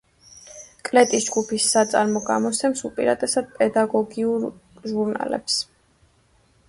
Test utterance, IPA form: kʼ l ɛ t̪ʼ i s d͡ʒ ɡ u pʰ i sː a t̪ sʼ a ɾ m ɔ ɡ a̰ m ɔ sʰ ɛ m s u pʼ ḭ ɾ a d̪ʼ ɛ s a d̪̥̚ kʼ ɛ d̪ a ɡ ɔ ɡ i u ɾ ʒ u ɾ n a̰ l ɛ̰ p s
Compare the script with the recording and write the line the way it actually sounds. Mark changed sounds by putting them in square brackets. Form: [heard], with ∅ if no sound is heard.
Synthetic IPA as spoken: kʼ l ɛ t̪ʼ i s d͡ʒ ɡ u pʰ i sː a t̪ sʼ a ɾ m ɔ ɡ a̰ m ɔ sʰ ɛ m s u pʼ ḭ ɾ a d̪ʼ ɛ s a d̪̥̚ [pʼ] ɛ d̪ a ɡ ɔ ɡ i u ɾ ʒ u ɾ n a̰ l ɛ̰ p s